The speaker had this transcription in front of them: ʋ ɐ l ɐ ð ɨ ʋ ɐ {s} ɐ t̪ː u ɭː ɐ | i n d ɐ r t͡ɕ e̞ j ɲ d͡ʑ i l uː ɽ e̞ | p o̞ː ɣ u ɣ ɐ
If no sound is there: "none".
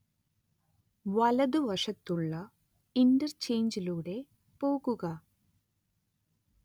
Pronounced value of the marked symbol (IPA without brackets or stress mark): ʂ